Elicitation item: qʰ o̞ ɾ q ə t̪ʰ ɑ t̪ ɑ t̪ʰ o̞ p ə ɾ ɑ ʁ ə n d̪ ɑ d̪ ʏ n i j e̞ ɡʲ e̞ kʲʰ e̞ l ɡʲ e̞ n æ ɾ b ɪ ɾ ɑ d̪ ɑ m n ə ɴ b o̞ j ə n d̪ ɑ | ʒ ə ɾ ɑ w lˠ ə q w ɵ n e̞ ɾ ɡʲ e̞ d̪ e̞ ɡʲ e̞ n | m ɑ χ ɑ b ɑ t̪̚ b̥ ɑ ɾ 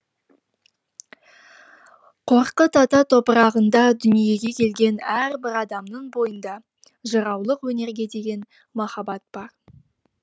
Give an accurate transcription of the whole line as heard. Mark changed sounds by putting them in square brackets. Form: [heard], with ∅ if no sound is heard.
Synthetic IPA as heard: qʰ o̞ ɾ q ə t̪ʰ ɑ t̪ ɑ t̪ʰ o̞ p ə ɾ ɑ ʁ ə n d̪ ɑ d̪ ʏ n i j e̞ ɡʲ e̞ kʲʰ e̞ l ɡʲ e̞ n æ ɾ b ɪ ɾ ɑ d̪ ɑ m n ə ɴ b o̞ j ə n d̪ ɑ | ʒ ə ɾ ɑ w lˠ ə q w ɵ n e̞ ɾ ɡʲ e̞ d̪ e̞ ɡʲ e̞ n | m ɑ χ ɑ b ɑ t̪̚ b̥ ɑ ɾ